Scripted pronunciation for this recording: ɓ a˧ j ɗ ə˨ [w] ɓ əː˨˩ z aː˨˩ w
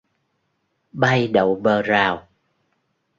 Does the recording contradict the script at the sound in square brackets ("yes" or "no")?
no